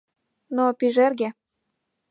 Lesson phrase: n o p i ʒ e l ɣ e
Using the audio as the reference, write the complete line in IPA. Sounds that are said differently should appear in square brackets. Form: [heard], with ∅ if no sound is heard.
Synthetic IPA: n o p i ʒ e [r] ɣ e